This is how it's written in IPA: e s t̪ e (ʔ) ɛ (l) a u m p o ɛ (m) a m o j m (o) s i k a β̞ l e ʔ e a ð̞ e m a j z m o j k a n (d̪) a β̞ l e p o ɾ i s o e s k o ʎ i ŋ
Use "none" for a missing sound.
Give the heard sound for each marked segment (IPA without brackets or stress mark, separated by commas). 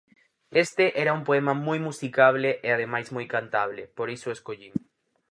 ʔ, ɾ, m, u, t̪